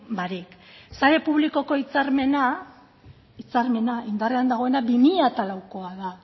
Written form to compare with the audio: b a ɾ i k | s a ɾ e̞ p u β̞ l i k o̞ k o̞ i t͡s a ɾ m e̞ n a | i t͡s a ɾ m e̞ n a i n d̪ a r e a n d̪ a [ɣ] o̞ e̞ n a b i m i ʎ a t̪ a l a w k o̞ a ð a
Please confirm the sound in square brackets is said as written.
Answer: yes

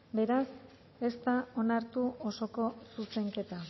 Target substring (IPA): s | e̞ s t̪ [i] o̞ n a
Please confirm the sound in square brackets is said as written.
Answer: no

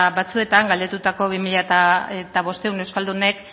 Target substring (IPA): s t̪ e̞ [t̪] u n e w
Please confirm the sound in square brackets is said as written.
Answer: no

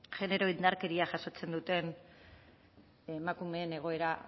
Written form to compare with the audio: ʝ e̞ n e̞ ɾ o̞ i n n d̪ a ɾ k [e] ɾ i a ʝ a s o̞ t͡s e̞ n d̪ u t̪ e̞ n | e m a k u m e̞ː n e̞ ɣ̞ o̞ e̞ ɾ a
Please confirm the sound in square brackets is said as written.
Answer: yes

